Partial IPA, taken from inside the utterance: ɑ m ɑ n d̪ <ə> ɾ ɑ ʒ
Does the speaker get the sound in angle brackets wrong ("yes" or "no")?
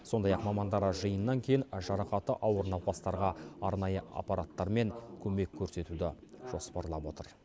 yes